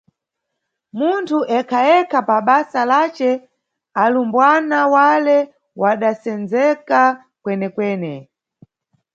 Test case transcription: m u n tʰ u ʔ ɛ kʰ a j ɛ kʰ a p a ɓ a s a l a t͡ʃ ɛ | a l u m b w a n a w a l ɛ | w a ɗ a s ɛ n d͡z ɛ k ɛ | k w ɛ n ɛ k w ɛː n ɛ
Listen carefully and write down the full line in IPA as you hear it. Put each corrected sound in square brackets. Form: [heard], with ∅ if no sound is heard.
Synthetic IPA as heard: m u n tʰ u ʔ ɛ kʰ a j ɛ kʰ a p a ɓ a s a l a t͡ʃ ɛ | a l u m b w a n a w a l ɛ | w a ɗ a s ɛ n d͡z ɛ k [a] | k w ɛ n ɛ k w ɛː n ɛ